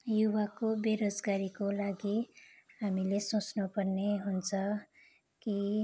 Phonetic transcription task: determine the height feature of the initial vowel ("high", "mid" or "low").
high